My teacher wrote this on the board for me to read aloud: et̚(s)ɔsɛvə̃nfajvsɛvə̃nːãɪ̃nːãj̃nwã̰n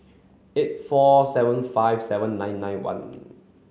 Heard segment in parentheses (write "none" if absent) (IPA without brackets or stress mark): f